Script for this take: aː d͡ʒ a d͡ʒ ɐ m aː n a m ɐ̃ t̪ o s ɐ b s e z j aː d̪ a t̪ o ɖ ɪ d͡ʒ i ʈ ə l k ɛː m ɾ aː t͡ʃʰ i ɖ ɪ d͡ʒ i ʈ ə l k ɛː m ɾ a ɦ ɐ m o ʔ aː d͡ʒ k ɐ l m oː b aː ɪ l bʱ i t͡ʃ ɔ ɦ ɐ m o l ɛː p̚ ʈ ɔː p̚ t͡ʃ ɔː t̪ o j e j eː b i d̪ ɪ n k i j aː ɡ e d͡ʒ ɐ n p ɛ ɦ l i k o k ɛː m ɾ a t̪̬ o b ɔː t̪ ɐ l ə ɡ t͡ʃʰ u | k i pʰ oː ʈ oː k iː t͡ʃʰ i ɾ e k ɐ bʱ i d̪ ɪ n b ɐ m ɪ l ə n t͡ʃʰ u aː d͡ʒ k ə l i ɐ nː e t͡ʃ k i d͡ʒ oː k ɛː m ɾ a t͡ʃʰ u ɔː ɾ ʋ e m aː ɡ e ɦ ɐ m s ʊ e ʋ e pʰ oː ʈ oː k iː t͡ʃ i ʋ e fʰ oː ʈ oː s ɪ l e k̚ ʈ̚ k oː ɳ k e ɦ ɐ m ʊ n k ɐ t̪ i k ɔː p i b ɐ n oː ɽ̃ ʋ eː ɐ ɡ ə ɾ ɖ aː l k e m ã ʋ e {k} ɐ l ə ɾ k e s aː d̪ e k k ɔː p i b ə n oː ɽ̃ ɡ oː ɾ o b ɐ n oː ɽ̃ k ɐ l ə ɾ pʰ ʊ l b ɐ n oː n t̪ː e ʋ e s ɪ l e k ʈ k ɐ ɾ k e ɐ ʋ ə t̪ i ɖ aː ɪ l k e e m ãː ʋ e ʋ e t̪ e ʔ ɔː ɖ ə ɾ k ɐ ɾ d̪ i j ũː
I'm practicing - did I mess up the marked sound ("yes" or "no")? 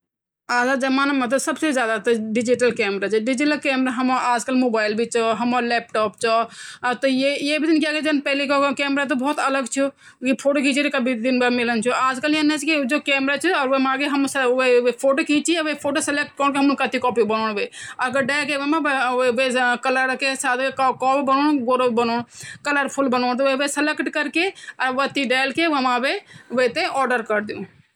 no